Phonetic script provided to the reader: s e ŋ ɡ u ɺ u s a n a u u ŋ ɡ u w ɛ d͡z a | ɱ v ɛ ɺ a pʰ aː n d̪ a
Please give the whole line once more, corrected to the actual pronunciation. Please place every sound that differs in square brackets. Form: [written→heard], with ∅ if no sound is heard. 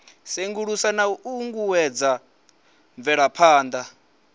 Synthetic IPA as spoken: s e ŋ ɡ u ɺ u s a n a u u ŋ ɡ u w ɛ d͡z a | ɱ v ɛ ɺ a pʰ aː n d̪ a